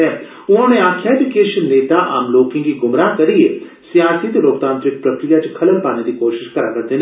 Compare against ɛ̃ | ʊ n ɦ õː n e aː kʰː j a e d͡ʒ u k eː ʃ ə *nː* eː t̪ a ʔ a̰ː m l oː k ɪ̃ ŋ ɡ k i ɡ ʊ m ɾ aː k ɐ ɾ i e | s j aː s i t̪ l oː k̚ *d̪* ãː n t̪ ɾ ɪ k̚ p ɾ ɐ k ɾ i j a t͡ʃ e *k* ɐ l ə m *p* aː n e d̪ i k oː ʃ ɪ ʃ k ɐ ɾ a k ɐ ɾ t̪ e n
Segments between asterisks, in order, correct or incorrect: correct, incorrect: t̪, incorrect: kʰ, correct

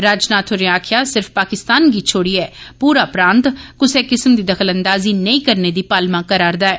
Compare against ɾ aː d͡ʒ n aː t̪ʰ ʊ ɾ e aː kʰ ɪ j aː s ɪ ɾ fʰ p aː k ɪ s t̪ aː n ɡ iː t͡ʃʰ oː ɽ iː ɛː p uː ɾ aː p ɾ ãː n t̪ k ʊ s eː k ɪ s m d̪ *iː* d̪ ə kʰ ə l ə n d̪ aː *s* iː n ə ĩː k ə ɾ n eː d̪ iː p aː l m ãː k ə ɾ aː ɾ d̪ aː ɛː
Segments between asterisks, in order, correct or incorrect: correct, incorrect: z

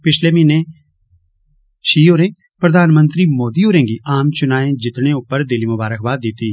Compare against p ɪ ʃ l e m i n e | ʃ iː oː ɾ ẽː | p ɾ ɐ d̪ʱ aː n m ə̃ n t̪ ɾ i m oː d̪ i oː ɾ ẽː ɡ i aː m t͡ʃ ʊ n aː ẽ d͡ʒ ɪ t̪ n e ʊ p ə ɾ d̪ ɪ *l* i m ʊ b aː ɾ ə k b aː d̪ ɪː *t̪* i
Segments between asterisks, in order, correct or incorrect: correct, correct

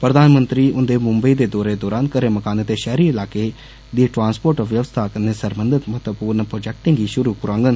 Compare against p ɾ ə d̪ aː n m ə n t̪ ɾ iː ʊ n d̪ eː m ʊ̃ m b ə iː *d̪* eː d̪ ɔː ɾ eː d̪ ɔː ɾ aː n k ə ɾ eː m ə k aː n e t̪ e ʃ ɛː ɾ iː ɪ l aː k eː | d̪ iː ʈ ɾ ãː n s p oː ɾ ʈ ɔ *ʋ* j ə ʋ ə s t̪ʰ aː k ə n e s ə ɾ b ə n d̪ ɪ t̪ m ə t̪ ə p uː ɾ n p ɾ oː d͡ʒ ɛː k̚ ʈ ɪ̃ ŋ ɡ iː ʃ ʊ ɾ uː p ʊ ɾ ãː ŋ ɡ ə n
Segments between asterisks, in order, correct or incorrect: correct, correct

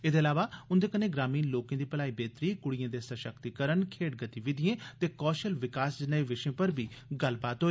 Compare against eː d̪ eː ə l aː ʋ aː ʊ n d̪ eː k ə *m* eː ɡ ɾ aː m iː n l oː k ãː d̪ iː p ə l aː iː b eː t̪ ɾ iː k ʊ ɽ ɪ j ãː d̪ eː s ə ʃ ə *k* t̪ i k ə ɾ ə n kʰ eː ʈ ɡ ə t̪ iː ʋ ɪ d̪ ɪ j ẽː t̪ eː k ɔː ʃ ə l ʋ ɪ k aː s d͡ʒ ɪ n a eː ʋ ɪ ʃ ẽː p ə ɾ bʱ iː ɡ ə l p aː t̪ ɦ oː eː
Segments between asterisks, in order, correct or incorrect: incorrect: n, correct

